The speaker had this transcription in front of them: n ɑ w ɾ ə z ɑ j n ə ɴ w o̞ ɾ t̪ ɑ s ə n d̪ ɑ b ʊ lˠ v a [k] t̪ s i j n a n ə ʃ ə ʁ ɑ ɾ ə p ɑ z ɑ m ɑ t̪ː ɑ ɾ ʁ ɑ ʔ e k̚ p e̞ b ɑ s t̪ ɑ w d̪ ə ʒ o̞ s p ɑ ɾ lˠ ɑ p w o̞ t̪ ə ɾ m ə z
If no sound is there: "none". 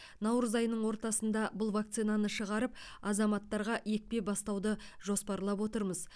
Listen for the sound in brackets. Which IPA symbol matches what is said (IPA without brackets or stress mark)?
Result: k